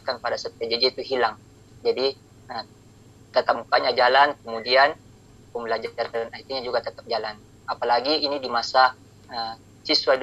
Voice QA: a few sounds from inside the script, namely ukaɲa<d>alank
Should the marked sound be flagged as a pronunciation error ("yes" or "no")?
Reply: yes